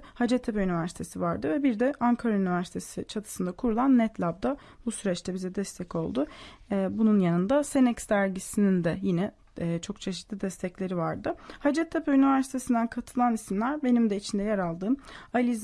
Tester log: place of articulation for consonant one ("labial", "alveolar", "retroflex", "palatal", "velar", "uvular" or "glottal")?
glottal